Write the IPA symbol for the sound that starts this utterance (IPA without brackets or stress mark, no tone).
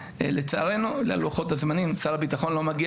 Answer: l